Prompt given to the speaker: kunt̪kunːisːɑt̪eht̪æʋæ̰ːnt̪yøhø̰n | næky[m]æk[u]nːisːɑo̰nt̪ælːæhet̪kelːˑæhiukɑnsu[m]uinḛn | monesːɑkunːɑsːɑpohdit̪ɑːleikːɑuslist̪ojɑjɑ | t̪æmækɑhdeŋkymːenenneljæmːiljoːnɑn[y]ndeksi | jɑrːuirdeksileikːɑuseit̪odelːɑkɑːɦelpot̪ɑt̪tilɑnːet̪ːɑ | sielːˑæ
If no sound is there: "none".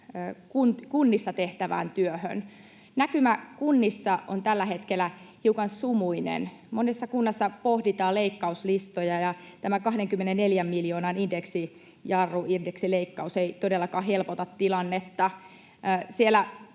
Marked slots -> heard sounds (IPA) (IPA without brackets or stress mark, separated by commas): m, u, m, i